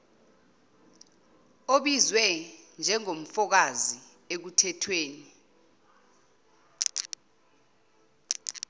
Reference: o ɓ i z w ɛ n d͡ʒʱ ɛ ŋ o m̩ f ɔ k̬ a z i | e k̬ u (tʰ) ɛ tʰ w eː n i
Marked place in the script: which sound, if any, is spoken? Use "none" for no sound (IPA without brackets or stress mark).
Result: tʰ